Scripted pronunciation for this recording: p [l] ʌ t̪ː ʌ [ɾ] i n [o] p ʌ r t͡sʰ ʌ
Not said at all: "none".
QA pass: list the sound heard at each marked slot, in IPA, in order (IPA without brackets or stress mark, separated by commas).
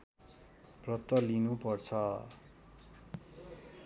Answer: r, l, u